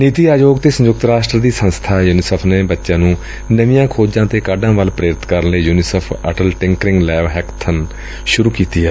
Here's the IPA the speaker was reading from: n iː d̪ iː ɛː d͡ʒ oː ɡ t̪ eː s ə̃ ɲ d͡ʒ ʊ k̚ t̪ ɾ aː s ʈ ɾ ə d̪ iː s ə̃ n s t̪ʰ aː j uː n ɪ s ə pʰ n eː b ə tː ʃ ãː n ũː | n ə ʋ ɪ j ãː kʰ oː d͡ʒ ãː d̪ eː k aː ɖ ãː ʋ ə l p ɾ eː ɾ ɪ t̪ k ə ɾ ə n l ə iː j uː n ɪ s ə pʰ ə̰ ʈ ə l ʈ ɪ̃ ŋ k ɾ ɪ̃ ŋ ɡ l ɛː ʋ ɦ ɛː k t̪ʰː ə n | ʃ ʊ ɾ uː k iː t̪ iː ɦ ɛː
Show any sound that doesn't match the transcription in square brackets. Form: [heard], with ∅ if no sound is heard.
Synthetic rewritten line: n iː [t̪] iː [aː] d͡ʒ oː ɡ t̪ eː s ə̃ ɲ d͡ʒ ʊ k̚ t̪ ɾ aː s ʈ ɾ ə d̪ iː s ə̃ n s t̪ʰ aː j uː n ɪ s ə pʰ n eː b ə tː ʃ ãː n ũː | n ə ʋ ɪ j ãː kʰ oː d͡ʒ ãː [t̪] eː k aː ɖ ãː ʋ ə l p ɾ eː ɾ ɪ t̪ k ə ɾ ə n l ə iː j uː n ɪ s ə pʰ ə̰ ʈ ə l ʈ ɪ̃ ŋ k ɾ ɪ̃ ŋ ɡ l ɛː ʋ ɦ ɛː k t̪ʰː ə n | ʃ ʊ ɾ uː k iː t̪ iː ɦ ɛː